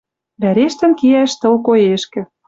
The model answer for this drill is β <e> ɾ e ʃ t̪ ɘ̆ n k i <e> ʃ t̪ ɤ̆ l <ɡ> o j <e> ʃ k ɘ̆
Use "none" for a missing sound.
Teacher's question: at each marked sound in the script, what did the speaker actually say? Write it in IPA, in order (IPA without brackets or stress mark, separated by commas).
æ, æ, k, e